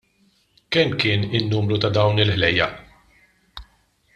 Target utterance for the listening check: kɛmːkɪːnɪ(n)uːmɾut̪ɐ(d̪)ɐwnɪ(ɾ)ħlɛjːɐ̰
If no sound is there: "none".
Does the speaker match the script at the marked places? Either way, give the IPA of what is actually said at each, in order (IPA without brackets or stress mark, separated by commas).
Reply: nː, d̪, l